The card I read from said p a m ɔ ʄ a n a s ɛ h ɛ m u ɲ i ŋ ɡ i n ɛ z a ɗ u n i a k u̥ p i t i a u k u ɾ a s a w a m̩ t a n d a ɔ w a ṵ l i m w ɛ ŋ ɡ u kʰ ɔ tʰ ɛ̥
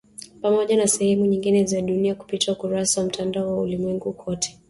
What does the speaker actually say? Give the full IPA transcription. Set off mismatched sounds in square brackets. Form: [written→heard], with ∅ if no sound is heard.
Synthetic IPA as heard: p a m ɔ ʄ a n a s ɛ h ɛ m u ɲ i ŋ ɡ i n ɛ z a ɗ u n i a k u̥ p i t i a u k u ɾ a s a w a m̩ t a n d a ɔ w a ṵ l i m w ɛ ŋ ɡ u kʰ ɔ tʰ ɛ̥